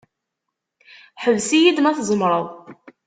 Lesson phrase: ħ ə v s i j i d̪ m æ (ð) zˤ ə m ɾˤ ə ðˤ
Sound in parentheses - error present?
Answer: yes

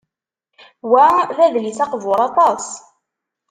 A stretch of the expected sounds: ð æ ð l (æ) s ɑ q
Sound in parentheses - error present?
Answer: yes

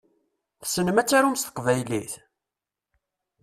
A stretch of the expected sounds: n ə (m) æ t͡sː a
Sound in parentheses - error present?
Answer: no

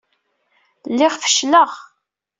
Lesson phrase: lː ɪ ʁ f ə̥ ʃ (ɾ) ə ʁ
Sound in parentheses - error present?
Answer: yes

